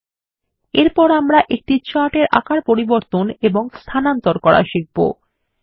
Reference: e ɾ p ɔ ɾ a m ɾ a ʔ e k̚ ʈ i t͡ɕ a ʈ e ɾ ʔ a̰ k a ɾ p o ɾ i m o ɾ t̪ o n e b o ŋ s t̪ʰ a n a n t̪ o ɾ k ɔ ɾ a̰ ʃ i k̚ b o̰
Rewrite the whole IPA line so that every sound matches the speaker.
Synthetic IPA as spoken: e ɾ p ɔ ɾ a m ɾ a ʔ e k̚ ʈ i t͡ɕ a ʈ e ɾ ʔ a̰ k a ɾ p o ɾ i b o ɾ t̪ o n e b o ŋ s t̪ʰ a n a n t̪ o ɾ k ɔ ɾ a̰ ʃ i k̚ b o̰